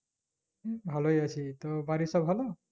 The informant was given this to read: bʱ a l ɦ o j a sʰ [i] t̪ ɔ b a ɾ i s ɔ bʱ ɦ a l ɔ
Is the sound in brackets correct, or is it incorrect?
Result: correct